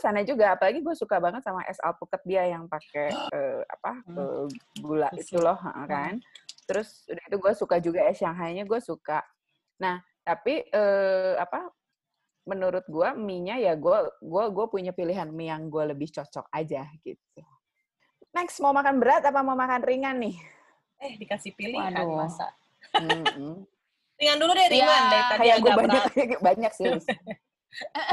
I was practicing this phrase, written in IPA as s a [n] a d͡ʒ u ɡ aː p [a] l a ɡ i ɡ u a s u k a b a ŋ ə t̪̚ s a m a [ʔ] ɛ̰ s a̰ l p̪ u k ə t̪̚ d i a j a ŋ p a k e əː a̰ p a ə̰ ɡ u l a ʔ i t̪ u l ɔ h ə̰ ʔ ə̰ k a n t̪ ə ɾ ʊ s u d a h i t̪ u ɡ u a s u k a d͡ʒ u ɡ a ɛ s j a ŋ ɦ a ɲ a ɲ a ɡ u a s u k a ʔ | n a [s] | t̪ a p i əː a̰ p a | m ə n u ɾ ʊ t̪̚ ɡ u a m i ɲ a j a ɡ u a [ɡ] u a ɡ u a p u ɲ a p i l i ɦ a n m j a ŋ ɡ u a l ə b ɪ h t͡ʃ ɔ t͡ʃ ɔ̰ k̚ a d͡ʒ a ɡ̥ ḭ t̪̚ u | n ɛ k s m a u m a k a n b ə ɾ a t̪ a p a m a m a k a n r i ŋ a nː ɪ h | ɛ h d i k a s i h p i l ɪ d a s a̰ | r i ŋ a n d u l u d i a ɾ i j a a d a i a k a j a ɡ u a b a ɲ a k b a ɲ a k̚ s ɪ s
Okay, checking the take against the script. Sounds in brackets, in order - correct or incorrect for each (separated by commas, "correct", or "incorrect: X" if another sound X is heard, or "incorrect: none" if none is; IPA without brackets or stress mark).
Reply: correct, correct, correct, incorrect: h, correct